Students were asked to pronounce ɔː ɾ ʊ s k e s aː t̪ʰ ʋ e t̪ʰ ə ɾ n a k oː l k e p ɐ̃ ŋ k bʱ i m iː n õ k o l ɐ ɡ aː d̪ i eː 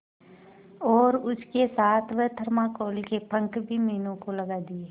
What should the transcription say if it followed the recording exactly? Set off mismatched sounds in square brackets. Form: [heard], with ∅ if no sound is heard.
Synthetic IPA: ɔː ɾ ʊ s k e s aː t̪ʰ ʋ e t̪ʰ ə ɾ [m] a k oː l k e p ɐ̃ ŋ k bʱ i m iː n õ k o l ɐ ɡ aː d̪ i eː

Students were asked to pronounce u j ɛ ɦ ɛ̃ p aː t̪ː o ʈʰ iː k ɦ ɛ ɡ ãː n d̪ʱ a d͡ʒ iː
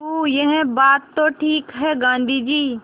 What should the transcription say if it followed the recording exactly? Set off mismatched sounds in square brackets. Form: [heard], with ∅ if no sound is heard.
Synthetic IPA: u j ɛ ɦ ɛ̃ [b] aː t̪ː o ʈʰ iː k ɦ ɛ ɡ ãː n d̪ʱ [i] d͡ʒ iː

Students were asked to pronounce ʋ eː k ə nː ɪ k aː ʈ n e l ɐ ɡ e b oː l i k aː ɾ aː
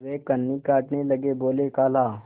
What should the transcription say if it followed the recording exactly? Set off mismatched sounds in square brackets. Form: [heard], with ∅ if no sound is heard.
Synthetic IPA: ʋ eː k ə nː [i] k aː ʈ n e l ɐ ɡ e b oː l [e] k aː [l] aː

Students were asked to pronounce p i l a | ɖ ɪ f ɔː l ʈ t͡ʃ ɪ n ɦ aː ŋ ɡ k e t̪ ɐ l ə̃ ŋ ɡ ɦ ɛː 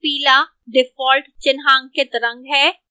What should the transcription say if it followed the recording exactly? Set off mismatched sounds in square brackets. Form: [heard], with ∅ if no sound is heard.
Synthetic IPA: p [iː] l a | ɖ ɪ f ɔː l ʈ t͡ʃ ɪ n ɦ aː ŋ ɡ k e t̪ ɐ [ɾ] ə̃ ŋ ɡ ɦ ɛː

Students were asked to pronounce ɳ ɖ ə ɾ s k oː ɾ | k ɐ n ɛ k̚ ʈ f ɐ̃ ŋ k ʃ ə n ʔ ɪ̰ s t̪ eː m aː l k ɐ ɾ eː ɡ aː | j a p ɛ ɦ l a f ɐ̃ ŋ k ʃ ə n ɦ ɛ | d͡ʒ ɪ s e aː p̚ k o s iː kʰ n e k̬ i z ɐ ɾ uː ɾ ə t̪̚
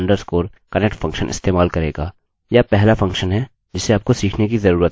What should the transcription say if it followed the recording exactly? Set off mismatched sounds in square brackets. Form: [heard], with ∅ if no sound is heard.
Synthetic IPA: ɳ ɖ ə ɾ s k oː ɾ | k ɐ n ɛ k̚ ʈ f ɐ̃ ŋ k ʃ ə n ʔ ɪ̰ s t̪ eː m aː l k ɐ ɾ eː ɡ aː | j a p ɛ ɦ l a f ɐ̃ ŋ k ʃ ə n ɦ ɛ | d͡ʒ ɪ s e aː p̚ k o s iː kʰ n e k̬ i z ɐ ɾ uː ɾ ə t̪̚

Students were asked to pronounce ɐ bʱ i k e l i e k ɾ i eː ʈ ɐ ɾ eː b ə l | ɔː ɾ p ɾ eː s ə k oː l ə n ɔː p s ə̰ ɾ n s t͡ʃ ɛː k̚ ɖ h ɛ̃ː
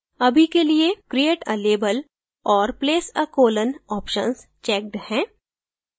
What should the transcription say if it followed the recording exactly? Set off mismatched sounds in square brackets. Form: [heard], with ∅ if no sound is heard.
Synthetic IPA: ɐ bʱ i k e l i e k ɾ i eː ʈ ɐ [l] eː b ə l | ɔː ɾ p [l] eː s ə k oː l ə n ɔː p [ʃ] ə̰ [∅] n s t͡ʃ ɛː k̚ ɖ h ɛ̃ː

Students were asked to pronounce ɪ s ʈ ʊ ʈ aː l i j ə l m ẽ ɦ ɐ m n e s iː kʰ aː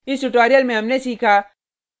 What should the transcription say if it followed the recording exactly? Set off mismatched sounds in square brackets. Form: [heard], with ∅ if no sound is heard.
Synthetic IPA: ɪ s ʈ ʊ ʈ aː [ɾ] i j ə l m ẽ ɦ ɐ m n e s iː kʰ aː

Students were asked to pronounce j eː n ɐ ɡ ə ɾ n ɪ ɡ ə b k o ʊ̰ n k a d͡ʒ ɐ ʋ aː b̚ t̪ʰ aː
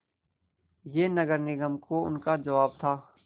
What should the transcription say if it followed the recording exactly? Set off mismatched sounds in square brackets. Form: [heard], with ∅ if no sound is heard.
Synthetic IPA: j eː n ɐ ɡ ə ɾ n ɪ ɡ ə [m] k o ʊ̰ n k a d͡ʒ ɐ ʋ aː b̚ t̪ʰ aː

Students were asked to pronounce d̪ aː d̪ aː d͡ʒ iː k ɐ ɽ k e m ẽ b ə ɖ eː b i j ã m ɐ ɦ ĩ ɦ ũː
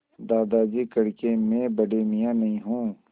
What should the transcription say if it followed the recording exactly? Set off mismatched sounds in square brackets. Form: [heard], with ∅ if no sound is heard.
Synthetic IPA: d̪ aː d̪ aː d͡ʒ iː k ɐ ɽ k e m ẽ b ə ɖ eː [m] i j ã [n] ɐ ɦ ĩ ɦ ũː

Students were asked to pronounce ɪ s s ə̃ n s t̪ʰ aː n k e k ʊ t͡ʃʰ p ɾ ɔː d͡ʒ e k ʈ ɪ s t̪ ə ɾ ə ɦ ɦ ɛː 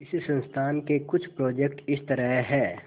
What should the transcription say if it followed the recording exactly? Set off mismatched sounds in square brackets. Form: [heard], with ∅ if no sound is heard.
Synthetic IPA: ɪ s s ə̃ n s t̪ʰ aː n k e k ʊ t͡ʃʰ p ɾ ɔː d͡ʒ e k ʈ ɪ s t̪ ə ɾ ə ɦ ɦ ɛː

